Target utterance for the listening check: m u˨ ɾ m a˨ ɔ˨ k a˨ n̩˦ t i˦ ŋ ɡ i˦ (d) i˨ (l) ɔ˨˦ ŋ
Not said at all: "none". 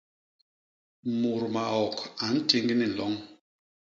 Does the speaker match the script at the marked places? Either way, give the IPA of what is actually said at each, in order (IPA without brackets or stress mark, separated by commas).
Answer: n, l